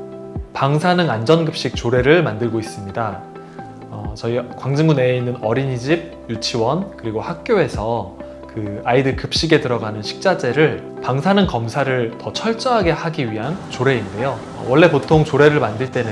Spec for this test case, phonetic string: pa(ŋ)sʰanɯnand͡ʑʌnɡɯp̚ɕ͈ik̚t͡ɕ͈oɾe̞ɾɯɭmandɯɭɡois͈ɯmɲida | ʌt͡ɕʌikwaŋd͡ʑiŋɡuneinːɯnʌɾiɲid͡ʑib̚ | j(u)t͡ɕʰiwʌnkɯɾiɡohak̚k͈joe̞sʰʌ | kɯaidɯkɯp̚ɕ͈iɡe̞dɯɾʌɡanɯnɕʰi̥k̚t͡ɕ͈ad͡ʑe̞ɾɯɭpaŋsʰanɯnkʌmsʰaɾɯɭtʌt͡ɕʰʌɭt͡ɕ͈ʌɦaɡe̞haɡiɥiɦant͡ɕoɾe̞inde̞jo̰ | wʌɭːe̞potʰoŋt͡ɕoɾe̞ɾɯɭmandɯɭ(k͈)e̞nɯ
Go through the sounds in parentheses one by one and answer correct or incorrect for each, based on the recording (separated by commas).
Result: correct, correct, incorrect